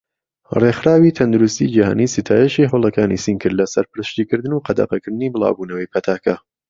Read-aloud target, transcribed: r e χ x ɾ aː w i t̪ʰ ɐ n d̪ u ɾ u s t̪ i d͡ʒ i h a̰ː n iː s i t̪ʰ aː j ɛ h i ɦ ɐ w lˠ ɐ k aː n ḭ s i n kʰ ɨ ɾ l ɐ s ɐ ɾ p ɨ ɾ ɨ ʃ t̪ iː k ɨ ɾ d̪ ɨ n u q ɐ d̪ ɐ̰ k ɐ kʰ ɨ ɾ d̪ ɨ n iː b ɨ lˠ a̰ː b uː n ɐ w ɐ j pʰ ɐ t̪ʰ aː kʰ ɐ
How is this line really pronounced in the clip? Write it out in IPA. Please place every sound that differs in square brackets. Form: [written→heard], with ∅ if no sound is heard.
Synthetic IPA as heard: r e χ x ɾ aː w i t̪ʰ ɐ n d̪ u ɾ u s t̪ i d͡ʒ i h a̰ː n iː s i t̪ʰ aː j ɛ [h→ʃ] i ɦ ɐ w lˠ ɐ k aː n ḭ s i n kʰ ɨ ɾ l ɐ s ɐ ɾ p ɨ ɾ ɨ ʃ t̪ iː k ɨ ɾ d̪ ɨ n u q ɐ d̪ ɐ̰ [k→q] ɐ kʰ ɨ ɾ d̪ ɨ n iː b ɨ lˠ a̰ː b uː n ɐ w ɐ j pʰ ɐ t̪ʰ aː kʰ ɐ